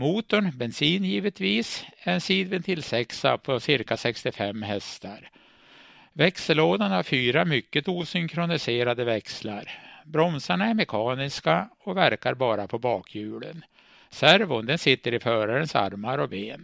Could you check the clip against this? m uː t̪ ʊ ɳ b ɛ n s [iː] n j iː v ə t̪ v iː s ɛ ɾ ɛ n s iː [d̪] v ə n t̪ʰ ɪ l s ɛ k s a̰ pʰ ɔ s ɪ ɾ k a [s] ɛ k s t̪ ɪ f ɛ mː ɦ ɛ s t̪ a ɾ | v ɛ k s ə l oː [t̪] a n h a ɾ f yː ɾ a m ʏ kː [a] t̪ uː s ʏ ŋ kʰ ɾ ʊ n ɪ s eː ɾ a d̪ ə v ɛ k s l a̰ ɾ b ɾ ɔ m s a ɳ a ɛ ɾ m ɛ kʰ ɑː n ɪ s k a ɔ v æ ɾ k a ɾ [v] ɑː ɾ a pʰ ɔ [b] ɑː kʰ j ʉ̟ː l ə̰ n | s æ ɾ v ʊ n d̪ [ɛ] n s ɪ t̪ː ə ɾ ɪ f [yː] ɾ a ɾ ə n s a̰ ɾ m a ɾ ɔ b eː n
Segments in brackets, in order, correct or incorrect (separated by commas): correct, correct, correct, incorrect, incorrect, incorrect, correct, correct, incorrect